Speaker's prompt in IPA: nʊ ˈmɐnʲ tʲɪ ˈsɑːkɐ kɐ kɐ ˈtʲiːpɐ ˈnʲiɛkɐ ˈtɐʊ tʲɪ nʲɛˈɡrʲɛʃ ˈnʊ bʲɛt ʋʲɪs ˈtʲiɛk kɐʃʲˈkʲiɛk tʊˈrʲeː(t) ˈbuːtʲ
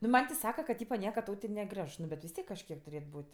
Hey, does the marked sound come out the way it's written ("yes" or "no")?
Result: yes